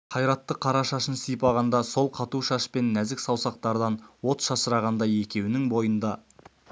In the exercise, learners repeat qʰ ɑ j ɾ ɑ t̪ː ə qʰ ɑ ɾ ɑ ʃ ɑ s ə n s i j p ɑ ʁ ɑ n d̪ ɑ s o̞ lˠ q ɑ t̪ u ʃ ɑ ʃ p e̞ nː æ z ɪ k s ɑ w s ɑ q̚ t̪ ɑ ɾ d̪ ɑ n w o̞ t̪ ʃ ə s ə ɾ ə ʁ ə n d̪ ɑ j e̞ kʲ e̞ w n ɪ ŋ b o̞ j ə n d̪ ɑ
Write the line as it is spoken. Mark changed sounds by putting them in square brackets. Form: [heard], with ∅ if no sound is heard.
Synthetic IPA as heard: qʰ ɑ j ɾ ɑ t̪ː ə qʰ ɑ ɾ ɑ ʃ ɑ [ʃ] ə n s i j p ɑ ʁ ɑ n d̪ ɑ s o̞ lˠ [qʰ] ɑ t̪ u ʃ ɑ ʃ p e̞ nː æ z ɪ k s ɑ w s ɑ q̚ t̪ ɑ ɾ d̪ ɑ n w o̞ t̪ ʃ [ɑ] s ə ɾ [ɑ] ʁ [ɑ] n d̪ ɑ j e̞ kʲ e̞ w n ɪ ŋ b o̞ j ə n d̪ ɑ